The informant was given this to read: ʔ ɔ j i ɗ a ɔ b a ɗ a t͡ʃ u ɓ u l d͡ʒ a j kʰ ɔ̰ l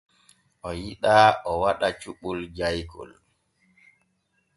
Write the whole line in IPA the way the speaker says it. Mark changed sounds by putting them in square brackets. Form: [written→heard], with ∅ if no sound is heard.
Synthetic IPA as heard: ʔ ɔ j i ɗ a ɔ [b→w] a ɗ a t͡ʃ u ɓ u l d͡ʒ a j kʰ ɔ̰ l